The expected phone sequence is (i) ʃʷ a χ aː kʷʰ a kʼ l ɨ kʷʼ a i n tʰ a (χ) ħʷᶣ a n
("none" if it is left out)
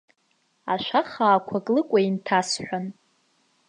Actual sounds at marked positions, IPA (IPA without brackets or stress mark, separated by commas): a, s